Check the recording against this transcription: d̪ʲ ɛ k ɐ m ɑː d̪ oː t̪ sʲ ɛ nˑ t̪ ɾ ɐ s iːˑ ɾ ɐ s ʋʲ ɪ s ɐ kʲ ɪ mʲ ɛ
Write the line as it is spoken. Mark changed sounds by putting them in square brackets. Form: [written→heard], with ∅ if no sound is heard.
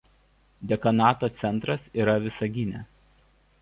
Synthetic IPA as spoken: d̪ʲ ɛ k ɐ [m→n] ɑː [d̪→t̪] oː t̪ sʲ ɛ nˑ t̪ ɾ ɐ s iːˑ ɾ ɐ [s→∅] ʋʲ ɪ s ɐ [kʲ→ɡʲ] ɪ [mʲ→nʲ] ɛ